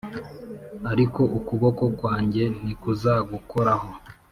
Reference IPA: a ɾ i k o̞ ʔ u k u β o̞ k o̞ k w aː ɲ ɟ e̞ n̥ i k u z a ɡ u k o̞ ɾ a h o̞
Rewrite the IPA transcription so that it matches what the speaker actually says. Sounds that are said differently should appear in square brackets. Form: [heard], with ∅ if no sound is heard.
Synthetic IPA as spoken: a ɾ i k o̞ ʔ u k u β o̞ k o̞ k w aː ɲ ɟ e̞ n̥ i k u z a ɡ u k o̞ ɾ a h o̞